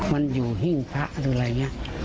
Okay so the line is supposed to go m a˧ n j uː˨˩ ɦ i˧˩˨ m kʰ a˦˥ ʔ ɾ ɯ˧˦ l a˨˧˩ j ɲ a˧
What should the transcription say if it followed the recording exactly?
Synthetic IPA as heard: m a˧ n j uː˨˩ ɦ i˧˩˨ ŋ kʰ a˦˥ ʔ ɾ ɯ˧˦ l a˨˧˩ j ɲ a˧